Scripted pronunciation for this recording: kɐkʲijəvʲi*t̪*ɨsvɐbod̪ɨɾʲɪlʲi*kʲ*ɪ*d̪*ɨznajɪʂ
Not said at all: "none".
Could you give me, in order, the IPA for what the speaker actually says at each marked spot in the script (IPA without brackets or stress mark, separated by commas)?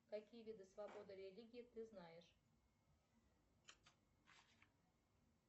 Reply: d̪, ɡʲ, t̪